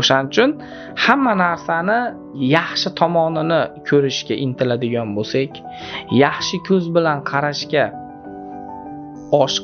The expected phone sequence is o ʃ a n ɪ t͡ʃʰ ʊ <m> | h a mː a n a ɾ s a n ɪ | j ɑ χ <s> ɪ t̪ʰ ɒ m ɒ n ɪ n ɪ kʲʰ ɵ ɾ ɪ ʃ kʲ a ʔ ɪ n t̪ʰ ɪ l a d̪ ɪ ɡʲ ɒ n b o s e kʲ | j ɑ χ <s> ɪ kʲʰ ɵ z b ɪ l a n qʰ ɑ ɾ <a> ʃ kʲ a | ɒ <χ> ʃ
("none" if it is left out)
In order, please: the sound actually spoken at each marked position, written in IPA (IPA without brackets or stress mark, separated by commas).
n, ʃ, ʃ, a, none